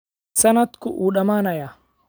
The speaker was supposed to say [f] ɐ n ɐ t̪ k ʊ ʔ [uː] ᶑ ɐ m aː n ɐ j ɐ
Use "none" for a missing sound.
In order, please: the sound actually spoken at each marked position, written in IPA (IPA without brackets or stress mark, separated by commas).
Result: s, uː